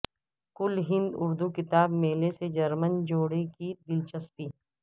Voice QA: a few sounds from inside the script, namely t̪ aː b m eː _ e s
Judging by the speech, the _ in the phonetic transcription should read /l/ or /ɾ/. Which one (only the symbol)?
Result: l